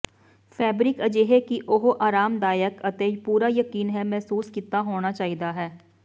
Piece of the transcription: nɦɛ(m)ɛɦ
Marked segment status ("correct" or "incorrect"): correct